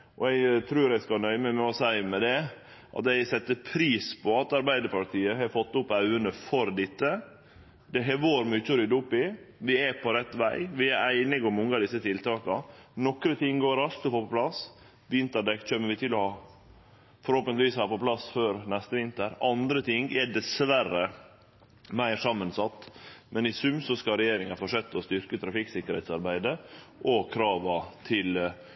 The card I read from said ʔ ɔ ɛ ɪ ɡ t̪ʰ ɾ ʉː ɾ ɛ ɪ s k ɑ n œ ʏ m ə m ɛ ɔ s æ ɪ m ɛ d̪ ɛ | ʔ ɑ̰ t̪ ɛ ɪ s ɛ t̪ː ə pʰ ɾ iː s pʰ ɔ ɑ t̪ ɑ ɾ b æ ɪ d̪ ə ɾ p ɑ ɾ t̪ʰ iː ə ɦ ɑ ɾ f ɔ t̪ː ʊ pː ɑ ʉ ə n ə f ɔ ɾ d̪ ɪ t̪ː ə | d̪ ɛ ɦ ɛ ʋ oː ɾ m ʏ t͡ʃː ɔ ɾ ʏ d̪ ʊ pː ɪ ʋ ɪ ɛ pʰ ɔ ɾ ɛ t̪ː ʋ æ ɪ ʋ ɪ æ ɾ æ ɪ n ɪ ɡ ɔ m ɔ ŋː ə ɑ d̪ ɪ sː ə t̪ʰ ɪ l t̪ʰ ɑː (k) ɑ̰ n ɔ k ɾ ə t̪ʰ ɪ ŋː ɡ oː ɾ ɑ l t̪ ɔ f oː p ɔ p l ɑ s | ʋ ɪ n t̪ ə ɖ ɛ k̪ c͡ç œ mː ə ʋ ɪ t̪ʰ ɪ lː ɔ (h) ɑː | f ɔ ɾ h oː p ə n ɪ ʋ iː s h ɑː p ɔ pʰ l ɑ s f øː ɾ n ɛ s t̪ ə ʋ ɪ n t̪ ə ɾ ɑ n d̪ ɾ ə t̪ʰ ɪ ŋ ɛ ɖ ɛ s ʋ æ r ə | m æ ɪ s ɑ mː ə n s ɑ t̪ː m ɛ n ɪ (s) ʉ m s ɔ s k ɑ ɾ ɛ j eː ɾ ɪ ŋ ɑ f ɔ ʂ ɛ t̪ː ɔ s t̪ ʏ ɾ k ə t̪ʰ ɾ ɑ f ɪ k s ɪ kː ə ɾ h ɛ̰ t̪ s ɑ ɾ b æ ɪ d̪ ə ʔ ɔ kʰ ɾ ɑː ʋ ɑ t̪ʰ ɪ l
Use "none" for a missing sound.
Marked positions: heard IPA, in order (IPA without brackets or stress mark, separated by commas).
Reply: k, h, s